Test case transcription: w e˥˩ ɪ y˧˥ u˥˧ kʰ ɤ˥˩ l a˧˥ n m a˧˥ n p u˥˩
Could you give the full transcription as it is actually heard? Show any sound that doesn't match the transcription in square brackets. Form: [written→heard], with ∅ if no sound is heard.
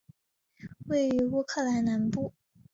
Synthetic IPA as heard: w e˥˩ ɪ y˧˥ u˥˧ kʰ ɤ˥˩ l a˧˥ n [m→n] a˧˥ n p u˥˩